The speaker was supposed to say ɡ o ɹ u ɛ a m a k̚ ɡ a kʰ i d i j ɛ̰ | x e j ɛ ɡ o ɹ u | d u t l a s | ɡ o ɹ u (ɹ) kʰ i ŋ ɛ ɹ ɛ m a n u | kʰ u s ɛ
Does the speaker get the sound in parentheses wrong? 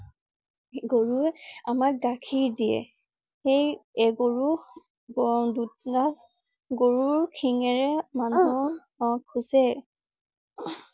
no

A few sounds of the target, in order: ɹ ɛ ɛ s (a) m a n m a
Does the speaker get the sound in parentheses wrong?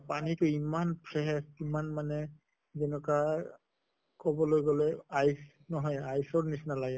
yes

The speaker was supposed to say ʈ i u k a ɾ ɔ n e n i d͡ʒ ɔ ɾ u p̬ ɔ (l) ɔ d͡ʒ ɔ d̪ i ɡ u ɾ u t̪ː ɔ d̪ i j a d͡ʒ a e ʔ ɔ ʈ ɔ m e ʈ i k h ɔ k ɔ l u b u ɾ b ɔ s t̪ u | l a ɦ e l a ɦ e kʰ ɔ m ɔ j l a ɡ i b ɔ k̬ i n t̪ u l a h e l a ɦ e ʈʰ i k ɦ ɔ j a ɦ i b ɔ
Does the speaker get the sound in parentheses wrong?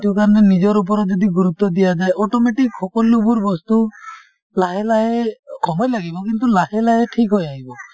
yes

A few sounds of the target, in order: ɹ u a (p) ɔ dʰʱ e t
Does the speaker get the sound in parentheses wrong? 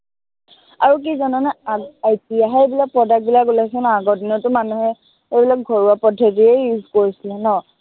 no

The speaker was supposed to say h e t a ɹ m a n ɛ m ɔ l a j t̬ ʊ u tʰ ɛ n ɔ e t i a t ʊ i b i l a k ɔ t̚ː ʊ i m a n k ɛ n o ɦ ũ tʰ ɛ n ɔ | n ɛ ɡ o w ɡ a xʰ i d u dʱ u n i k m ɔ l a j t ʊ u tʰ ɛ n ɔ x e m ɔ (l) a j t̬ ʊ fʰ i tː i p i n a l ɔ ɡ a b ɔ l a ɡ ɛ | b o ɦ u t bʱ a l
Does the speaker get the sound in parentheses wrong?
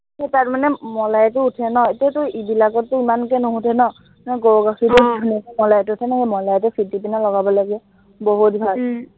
no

